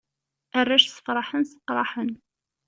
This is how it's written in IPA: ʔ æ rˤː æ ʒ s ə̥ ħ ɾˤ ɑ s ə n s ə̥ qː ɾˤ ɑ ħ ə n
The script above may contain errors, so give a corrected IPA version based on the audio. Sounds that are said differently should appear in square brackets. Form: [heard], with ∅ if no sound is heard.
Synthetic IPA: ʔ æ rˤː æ [ʃ] s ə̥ [f] ɾˤ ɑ [ħ] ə n s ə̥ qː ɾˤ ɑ ħ ə n